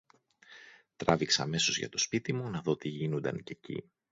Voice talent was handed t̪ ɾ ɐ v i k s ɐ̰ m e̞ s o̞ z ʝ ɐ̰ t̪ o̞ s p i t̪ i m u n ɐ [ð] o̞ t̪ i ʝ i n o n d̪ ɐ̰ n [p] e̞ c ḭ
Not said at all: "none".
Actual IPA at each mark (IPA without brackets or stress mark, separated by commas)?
ð, c